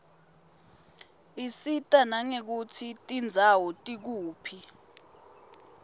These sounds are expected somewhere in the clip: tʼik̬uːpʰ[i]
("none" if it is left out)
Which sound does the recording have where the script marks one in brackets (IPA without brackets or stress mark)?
i